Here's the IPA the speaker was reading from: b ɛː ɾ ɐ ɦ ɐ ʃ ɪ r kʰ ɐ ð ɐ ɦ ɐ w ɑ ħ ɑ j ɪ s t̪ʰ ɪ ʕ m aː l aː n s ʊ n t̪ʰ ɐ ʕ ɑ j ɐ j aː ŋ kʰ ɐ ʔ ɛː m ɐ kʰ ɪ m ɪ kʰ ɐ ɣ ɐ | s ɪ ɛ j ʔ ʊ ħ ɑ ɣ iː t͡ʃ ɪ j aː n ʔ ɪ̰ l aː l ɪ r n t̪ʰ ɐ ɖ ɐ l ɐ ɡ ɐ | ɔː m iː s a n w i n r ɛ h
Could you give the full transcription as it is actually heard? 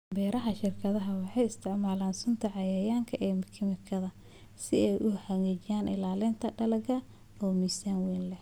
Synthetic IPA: b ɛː ɾ ɐ ɦ ɐ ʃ ɪ r kʰ ɐ ð ɐ ɦ ɐ w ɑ ħ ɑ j ɪ s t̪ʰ ɪ ʕ m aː l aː n s ʊ n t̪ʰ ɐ ʕ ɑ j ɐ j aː ŋ kʰ ɐ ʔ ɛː m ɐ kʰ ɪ m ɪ kʰ ɐ ð ɐ | s ɪ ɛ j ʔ ʊ ħ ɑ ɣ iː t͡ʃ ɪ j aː n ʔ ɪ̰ l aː l ɪ n t̪ʰ ɐ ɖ ɐ l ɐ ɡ ɐ | ɔː m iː s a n w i n l ɛ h

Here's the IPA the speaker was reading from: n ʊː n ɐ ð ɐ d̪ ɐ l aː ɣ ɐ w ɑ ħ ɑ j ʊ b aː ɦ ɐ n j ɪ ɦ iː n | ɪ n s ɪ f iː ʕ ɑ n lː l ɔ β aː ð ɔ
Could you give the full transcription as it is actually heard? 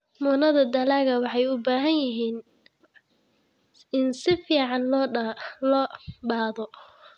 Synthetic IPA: m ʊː n ɐ ð ɐ d̪ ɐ l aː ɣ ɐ w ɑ ħ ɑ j ʊ b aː ɦ ɐ n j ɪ ɦ iː n | ɪ n s ɪ f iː ʕ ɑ n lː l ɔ b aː ð ɔ

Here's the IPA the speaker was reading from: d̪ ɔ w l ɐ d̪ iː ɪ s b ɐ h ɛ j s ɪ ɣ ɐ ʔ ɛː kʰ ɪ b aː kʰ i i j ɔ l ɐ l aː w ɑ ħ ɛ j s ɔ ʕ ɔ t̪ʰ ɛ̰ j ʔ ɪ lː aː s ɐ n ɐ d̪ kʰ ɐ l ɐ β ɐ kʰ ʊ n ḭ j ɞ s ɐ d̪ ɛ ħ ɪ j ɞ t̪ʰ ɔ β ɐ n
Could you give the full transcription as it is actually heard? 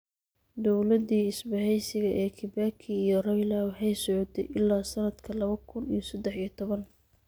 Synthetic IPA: d̪ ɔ w l ɐ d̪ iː ɪ s b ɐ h ɛ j s ɪ ɣ ɐ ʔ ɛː kʰ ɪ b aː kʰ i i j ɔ r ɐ l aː w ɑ ħ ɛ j s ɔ ʕ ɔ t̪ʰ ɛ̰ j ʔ ɪ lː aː s ɐ n ɐ d̪ kʰ ɐ l ɐ β ɐ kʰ ʊ n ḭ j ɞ s ɐ d̪ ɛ ħ i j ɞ t̪ʰ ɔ β ɐ n

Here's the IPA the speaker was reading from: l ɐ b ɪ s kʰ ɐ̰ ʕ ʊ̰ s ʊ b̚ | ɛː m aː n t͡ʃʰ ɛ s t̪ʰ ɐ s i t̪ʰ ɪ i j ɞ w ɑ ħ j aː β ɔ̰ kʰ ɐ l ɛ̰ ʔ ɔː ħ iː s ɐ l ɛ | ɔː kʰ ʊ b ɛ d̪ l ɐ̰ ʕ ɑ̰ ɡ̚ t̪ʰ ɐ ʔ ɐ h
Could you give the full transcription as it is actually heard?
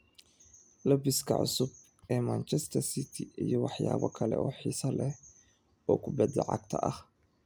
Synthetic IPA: l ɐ b ɪ s kʰ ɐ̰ ʕ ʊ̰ s ʊ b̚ | ɛː m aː n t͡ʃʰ ɛ s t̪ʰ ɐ s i t̪ʰ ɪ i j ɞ w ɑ ħ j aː β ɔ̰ kʰ ɐ l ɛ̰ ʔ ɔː ħ iː s ɐ l ɛ | ɔː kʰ ʊ b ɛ d̪ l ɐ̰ ʕ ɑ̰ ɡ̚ t̪ʰ ɐ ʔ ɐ h

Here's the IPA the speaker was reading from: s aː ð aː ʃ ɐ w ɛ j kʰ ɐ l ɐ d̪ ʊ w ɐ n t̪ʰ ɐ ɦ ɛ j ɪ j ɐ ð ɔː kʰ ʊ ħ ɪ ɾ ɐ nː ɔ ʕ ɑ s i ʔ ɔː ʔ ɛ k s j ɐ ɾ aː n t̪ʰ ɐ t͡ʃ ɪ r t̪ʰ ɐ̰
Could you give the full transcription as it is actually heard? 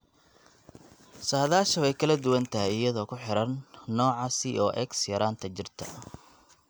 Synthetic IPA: s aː ð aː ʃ ɐ w ɛ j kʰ ɐ l ɐ d̪ ʊ w ɐ n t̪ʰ ɐ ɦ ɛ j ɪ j ɐ ð ɔː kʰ ʊ ħ ɪ ɾ ɐ nː ɔː ʕ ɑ s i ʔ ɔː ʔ ɛ k s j ɐ ɾ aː n t̪ʰ ɐ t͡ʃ ɪ r t̪ʰ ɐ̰

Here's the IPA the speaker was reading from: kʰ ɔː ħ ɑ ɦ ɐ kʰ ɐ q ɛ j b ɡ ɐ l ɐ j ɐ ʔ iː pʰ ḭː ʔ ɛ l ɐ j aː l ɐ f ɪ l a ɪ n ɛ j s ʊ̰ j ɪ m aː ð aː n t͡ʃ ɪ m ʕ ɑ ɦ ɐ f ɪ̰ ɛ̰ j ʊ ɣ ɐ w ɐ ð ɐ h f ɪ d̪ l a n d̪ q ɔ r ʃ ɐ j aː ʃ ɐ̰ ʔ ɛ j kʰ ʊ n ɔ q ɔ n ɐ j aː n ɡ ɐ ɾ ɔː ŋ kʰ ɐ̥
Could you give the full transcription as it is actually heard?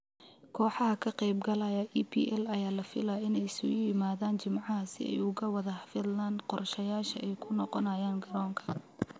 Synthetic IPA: kʰ ɔː ħ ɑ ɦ ɐ kʰ ɐ q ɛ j b ɡ ɐ l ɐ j ɐ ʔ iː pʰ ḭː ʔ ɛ l ɐ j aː l ɐ f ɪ l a ɪ n ɛ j s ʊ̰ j ɪ m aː ð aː n t͡ʃ ɪ m ʕ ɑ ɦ ɐ s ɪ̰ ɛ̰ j ʊ ɣ ɐ w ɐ ð ɐ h f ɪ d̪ l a n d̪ q ɔ r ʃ ɐ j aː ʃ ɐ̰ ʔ ɛ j kʰ ʊ n ɔ q ɔ n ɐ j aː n ɡ ɐ ɾ ɔː ŋ kʰ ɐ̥

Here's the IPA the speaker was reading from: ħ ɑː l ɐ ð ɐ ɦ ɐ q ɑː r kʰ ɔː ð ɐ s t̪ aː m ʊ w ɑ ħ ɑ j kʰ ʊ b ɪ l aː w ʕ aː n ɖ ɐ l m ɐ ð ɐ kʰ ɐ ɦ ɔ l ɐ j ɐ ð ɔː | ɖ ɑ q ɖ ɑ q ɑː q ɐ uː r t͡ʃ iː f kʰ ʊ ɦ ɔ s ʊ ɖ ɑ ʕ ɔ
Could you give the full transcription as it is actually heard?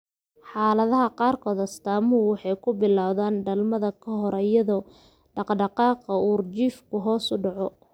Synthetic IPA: ħ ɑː l ɐ ð ɐ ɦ ɐ q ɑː r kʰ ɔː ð ɐ s t̪ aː m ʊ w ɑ ħ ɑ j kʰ ʊ b ɪ l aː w ð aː n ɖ ɐ l m ɐ ð ɐ kʰ ɐ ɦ ɔ ɾ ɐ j ɐ ð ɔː | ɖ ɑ q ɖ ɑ q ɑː q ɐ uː r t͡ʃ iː f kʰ ʊ ɦ ɔː s ʊ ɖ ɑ ʕ ɔ

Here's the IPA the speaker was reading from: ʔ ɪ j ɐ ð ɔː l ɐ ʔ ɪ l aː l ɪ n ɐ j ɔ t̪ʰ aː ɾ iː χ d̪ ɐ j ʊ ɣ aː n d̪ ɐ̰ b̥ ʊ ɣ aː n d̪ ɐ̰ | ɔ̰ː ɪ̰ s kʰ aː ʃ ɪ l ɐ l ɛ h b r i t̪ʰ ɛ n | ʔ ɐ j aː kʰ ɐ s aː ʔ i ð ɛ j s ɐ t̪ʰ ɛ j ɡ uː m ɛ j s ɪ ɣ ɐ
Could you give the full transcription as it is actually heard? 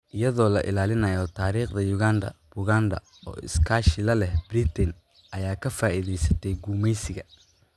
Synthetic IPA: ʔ ɪ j ɐ ð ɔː l ɐ ʔ ɪ l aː l ɪ n ɐ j ɔ t̪ʰ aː ɾ iː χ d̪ ɐ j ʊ ɣ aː n d̪ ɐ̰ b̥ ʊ ɣ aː n d̪ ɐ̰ | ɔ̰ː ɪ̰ s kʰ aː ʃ ɪ l ɐ l ɛ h b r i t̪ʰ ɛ n | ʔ ɐ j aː kʰ ɐ f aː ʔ i ð ɛ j s ɐ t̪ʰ ɛ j ɡ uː m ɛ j s ɪ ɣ ɐ

